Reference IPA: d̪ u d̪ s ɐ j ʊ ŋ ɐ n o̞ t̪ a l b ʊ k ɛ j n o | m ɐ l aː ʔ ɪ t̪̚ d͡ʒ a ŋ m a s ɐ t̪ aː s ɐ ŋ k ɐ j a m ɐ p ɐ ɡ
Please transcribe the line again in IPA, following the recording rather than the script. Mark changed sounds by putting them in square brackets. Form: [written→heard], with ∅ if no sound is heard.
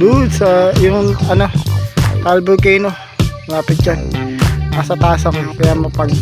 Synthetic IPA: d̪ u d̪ s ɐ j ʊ ŋ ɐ n o̞ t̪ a l b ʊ k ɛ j n o | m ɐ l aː [ʔ→p] ɪ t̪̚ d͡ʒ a [ŋ→n] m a s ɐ t̪ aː s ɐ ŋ k ɐ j a m ɐ p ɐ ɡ